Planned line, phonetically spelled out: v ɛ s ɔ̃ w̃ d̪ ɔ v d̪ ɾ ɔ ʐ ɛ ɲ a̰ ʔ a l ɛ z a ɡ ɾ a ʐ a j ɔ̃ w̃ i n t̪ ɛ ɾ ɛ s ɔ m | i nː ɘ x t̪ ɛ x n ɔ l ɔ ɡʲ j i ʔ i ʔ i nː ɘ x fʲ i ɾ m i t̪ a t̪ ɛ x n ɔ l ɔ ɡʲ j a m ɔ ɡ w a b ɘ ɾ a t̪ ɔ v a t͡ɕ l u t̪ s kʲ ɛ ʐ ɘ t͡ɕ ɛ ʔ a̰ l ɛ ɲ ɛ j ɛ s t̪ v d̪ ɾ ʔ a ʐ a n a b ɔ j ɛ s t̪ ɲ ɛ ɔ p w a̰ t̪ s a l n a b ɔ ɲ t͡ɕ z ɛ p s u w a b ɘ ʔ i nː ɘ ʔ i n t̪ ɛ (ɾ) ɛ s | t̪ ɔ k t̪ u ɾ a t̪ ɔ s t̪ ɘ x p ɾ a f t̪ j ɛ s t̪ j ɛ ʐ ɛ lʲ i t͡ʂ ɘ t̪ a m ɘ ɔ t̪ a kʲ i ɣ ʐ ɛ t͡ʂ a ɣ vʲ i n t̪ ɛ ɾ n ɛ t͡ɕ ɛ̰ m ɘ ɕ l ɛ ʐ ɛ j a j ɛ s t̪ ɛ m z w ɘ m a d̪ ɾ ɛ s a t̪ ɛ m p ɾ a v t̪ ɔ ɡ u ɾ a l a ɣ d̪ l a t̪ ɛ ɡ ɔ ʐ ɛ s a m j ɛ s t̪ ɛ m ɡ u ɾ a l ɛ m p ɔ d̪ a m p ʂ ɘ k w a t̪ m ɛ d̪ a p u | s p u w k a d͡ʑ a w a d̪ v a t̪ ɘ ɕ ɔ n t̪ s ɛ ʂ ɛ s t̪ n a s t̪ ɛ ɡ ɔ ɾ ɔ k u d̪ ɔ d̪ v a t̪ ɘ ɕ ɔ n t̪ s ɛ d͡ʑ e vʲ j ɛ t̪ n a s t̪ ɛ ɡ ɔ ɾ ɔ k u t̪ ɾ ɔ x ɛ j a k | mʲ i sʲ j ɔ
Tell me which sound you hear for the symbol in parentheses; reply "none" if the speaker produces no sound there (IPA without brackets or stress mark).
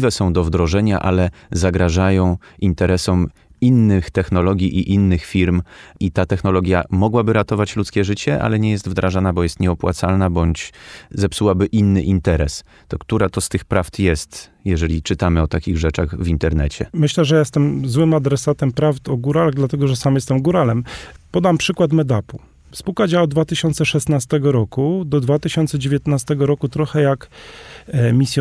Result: ɾ